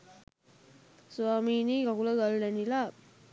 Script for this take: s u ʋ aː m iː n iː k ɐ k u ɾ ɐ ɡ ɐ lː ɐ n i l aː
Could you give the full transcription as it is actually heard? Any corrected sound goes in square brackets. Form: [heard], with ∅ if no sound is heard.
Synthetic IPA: s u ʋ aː m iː n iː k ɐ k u [l] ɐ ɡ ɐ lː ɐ n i l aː